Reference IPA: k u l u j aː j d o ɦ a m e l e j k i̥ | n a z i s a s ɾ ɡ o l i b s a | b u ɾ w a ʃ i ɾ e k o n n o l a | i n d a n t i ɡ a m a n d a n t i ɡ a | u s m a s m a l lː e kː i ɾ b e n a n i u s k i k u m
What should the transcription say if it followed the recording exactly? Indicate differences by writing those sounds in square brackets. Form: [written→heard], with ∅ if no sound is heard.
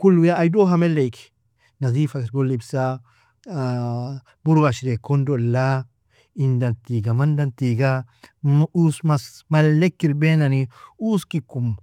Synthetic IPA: k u l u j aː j d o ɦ a m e l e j k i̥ | n a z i [s→f] a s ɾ ɡ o l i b s a | b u ɾ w a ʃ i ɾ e k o n [n→d] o l a | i n d a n t i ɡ a m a n d a n t i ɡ a | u s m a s m a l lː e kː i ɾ b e n a n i u s k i k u m